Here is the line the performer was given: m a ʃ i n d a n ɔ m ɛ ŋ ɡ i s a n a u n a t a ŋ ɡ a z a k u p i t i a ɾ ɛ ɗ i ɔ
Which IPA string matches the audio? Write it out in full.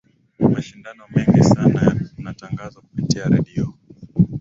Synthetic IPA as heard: m a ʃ i n d a n ɔ m ɛ ŋ ɡ i s a n a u n a t a ŋ ɡ a z a k u p i t i a ɾ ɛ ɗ i ɔ